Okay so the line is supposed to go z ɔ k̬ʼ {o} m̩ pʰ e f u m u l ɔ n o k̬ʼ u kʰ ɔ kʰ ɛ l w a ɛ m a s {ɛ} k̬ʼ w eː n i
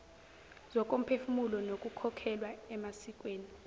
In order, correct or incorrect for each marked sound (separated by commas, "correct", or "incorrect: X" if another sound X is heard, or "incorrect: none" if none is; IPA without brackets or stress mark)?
correct, incorrect: i